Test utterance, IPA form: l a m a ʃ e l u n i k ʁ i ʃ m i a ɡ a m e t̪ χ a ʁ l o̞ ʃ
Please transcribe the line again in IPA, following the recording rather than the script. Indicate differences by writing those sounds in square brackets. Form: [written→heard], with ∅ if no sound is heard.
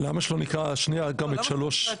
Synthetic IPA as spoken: l a m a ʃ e l [u→o] n i k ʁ [i→a] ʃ [m→n] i a ɡ a m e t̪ [χ→ʃ] a [ʁ→∅] l o̞ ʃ